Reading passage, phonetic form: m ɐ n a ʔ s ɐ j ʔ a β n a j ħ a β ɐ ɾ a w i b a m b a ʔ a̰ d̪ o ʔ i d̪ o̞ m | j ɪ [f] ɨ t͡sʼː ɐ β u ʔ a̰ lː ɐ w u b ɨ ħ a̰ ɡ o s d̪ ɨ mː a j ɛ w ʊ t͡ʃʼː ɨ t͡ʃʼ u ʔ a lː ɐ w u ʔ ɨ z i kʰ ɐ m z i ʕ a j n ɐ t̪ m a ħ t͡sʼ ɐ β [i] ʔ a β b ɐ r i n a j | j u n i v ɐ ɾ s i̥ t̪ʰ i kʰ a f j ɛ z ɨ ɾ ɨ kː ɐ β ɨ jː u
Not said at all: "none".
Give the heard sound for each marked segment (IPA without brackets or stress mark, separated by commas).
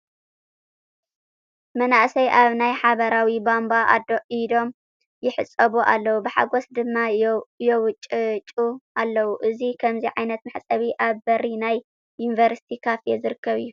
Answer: ħ, i